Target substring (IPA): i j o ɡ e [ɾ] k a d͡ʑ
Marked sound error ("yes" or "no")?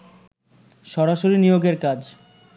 no